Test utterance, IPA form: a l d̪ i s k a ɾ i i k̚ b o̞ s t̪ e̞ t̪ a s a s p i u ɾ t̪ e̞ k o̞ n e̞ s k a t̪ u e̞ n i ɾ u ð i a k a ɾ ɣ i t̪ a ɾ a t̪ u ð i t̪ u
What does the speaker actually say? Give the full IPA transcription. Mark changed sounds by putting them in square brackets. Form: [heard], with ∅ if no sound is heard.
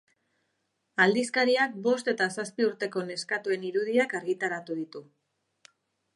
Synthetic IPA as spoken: a l d̪ i s k a ɾ i [a] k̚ b o̞ s t̪ e̞ t̪ a s a s p i u ɾ t̪ e̞ k o̞ n e̞ s k a t̪ u e̞ n i ɾ u ð i a k a ɾ ɣ i t̪ a ɾ a t̪ u ð i t̪ u